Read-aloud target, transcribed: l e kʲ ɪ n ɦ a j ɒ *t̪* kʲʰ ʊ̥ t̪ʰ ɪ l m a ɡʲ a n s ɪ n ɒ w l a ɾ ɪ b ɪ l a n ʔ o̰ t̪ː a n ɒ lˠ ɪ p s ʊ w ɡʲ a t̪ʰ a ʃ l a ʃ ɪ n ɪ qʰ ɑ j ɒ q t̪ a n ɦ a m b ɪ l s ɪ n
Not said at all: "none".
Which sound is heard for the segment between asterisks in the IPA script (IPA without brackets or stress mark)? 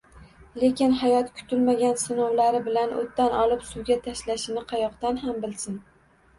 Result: t̪